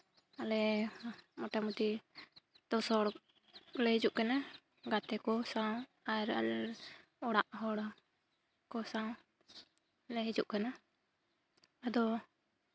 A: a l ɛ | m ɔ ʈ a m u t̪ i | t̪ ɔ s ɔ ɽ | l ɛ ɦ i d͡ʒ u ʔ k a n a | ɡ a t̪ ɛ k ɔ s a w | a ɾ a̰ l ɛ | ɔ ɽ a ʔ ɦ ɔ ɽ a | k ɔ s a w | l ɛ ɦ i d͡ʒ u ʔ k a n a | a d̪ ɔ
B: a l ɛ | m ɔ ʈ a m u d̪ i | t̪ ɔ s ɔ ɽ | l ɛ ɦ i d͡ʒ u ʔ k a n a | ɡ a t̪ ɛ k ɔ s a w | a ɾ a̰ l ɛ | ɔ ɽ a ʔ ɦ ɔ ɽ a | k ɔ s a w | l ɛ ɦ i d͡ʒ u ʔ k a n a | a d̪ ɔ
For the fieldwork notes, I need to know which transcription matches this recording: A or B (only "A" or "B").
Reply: A